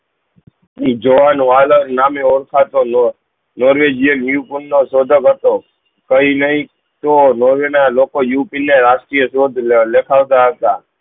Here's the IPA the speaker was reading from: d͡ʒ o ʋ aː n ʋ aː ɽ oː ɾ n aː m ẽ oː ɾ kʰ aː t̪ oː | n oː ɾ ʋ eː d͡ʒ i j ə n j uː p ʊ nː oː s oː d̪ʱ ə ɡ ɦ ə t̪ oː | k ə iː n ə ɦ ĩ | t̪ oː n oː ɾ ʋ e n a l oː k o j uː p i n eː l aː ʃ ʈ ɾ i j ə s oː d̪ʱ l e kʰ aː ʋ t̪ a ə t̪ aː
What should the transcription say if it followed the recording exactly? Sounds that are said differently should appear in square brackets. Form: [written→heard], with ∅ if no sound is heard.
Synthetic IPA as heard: d͡ʒ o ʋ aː n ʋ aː [ɽ→l] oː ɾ n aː m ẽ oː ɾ kʰ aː t̪ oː | n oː ɾ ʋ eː d͡ʒ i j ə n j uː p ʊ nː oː s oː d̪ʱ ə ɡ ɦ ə t̪ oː | k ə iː n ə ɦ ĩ | t̪ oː n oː ɾ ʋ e n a l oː k o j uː p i n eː [l→ɾ] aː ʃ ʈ ɾ i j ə s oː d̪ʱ l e kʰ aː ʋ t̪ a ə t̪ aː

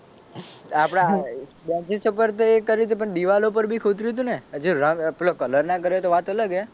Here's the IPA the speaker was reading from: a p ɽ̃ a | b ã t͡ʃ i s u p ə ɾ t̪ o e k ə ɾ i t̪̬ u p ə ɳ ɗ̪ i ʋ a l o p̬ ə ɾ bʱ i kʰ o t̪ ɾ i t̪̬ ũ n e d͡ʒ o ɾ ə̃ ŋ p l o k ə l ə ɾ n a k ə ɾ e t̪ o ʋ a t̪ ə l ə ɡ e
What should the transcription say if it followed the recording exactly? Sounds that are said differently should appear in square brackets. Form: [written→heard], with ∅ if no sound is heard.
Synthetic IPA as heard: a p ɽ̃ a | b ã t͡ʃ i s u p ə ɾ t̪ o e k ə ɾ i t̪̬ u p ə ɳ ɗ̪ i ʋ a l o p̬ ə ɾ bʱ i kʰ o t̪ ɾ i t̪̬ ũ n e d͡ʒ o ɾ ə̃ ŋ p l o k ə l ə ɾ n a k ə ɾ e t̪ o ʋ a t̪ ə l ə ɡ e

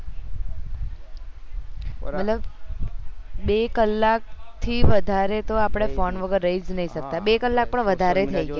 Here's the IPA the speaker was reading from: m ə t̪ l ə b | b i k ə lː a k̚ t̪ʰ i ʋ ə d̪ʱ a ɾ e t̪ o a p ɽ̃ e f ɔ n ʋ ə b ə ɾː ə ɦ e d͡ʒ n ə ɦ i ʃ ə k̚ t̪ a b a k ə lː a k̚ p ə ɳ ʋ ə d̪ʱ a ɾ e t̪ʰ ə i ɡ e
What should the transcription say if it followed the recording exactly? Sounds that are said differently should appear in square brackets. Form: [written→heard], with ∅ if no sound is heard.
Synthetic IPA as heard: m ə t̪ l ə b | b [i→e] k ə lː a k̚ t̪ʰ i ʋ ə d̪ʱ a ɾ e t̪ o a p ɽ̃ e f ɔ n ʋ ə [b→ɡ] ə ɾː ə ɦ [e→i] d͡ʒ n ə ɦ i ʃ ə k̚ t̪ a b [a→e] k ə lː a k̚ p ə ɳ ʋ ə d̪ʱ a ɾ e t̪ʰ ə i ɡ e

